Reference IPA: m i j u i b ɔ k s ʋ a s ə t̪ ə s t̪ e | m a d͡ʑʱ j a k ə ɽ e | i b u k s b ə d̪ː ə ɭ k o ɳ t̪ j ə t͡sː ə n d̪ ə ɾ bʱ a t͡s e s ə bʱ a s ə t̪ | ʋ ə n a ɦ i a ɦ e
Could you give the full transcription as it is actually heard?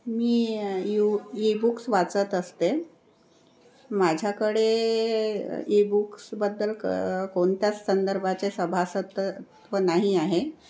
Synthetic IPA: m iː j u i b u k s ʋ a t͡s ə t̪ ə s t̪ e | m a d͡ʑʱ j a k ə ɽ e | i b u k s b ə d̪ː ə l k o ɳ t̪ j a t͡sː ə n d̪ ə ɾ bʱ a t͡s e s ə bʱ a s ə t̪ | ʋ ə n a ɦ i a ɦ e

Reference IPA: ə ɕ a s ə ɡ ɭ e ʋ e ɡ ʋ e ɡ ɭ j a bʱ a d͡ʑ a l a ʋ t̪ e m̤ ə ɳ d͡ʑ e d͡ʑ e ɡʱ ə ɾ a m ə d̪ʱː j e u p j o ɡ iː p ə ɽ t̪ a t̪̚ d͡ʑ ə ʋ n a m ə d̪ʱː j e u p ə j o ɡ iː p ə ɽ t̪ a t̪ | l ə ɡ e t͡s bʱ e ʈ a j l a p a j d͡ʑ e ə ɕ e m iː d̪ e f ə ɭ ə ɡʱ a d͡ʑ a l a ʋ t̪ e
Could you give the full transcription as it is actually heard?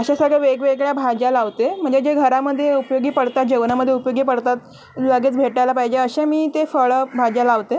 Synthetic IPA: ə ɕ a s ə ɡ ɭ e ʋ e ɡ ʋ e ɡ ɭ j a bʱ a d͡ʑ a l a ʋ t̪ e m̤ ə ɳ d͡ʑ e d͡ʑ e ɡʱ ə ɾ a m ə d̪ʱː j e u p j o ɡ iː p ə ɽ t̪ a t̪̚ d͡ʑ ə ʋ n a m ə d̪ʱː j e u p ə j o ɡ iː p ə ɽ t̪ a t̪ | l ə ɡ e t͡s bʱ e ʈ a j l a p a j d͡ʑ e ə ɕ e m iː t̪ e f ə ɭ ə bʱ a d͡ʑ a l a ʋ t̪ e

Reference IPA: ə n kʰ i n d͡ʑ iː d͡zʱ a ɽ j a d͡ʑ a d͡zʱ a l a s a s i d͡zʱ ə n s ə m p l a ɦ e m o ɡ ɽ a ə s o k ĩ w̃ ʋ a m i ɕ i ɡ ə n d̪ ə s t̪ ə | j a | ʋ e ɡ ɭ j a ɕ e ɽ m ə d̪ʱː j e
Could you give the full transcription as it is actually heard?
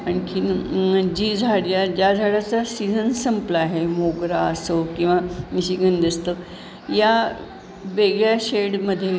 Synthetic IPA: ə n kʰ i n d͡ʑ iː d͡zʱ a ɽ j a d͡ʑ a d͡zʱ a ɽ a t͡s a s i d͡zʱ ə n s ə m p l a ɦ e m o ɡ ɾ a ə s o k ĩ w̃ ʋ a m i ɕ i ɡ ə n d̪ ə s t̪ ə | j a | ʋ e ɡ ɭ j a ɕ e ɽ m ə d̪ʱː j e

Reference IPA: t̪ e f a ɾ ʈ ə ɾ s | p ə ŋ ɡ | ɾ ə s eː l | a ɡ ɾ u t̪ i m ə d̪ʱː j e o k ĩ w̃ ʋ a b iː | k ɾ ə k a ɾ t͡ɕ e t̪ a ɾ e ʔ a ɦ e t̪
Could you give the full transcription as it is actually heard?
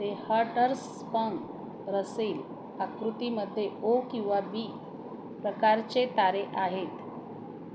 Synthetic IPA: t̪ e h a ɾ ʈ ə ɾ s | p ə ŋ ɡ | ɾ ə s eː l | a k ɾ u t̪ i m ə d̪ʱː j e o k ĩ w̃ ʋ a b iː | p ɾ ə k a ɾ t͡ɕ e t̪ a ɾ e ʔ a ɦ e t̪

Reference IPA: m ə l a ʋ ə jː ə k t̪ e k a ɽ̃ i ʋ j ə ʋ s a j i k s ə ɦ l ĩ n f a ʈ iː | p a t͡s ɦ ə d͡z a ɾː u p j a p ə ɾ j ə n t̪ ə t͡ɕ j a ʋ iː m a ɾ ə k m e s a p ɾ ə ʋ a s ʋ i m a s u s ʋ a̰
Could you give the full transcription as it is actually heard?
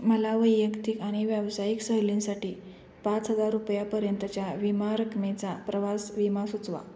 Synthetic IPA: m ə l a ʋ ə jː ə k t̪ i k a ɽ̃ i ʋ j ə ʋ s a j i k s ə ɦ l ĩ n s a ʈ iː | p a t͡s ɦ ə d͡z a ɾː u p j a p ə ɾ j ə n t̪ ə t͡ɕ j a ʋ i m a ɾ ə k m e t͡s a p ɾ ə ʋ a s ʋ i m a s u t͡s ʋ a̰

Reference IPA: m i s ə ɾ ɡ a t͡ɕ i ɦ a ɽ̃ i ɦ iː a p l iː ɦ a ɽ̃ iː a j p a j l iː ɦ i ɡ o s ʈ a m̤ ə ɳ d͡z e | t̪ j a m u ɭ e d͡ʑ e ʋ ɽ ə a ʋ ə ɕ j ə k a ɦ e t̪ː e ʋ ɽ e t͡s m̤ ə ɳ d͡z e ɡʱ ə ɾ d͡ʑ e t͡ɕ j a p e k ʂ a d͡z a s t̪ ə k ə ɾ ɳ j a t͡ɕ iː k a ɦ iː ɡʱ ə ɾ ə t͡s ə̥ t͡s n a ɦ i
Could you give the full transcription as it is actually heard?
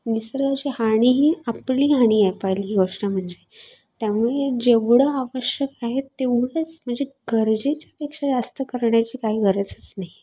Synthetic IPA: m i s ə ɾ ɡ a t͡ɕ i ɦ a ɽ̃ i ɦ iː a p l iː ɦ a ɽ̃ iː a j p a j l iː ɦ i ɡ o ʂ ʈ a m̤ ə ɳ d͡z e | t̪ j a m u ɭ e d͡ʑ e ʋ ɽ ə a ʋ ə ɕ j ə k a ɦ e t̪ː e ʋ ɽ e t͡s m̤ ə ɳ d͡z e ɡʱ ə ɾ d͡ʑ e t͡ɕ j a p e k ʂ a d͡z a s t̪ ə k ə ɾ ɳ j a t͡ɕ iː k a ɦ iː ɡʱ ə ɾ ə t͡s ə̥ t͡s n a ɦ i

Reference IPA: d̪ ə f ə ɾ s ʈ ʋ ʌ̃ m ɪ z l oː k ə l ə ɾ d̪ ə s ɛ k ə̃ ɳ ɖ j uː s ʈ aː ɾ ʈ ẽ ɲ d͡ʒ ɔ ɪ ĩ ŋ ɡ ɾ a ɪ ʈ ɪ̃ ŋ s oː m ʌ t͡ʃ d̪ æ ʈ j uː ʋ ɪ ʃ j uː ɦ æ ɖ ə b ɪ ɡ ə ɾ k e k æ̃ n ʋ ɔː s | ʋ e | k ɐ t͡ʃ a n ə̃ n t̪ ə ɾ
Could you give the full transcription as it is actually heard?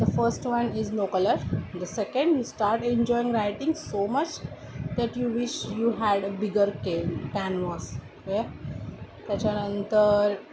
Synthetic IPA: d̪ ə f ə ɾ s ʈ ʋ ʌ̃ n ɪ z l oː k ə l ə ɾ d̪ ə s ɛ k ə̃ ɳ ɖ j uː s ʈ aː ɾ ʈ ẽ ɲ d͡ʒ ɔ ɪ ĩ ŋ ɡ ɾ a ɪ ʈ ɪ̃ ŋ s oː m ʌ t͡ʃ d̪ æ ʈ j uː ʋ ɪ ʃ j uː ɦ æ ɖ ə b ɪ ɡ ə ɾ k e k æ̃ n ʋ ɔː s | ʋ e | k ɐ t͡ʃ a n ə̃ n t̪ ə ɾ

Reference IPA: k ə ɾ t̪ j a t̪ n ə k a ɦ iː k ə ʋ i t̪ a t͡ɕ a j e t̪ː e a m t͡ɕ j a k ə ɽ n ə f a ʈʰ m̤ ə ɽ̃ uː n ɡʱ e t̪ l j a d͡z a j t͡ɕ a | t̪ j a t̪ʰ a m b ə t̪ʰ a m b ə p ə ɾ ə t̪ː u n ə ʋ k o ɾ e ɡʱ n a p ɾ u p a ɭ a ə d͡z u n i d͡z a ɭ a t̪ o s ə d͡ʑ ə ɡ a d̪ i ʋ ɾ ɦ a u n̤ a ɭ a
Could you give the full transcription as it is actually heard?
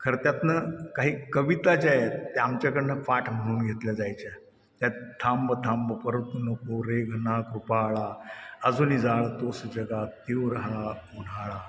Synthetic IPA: kʰ ə ɾ t̪ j a t̪ n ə k a ɦ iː k ə ʋ i t̪ a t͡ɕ a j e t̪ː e a m t͡ɕ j a k ə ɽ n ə f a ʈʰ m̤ ə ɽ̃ uː n ɡʱ e t̪ l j a d͡z a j t͡ɕ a | t̪ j a t̪ʰ a m b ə t̪ʰ a m b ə p ə ɾ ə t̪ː u n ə k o ɾ e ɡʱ n a k ɾ u p a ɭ a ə d͡z u n i d͡z a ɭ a t̪ o s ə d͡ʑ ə ɡ a t̪ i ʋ ɾ ɦ a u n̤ a ɭ a

